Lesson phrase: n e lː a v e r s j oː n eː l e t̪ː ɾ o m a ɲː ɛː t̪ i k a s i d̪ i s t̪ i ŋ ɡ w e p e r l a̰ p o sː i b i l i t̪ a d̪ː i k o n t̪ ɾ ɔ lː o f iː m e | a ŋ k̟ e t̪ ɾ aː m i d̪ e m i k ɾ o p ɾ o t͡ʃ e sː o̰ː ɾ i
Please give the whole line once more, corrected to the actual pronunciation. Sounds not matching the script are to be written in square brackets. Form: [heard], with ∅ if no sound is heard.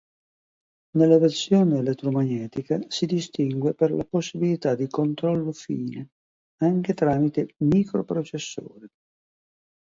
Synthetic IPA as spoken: n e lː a v e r s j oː n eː l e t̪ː ɾ o m a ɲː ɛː t̪ i k a s i d̪ i s t̪ i ŋ ɡ w e p e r l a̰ p o sː i b i l i t̪ a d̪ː i k o n t̪ ɾ ɔ lː o f iː [n] e | a ŋ k̟ e t̪ ɾ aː m i [t̪] e m i k ɾ o p ɾ o t͡ʃ e sː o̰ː ɾ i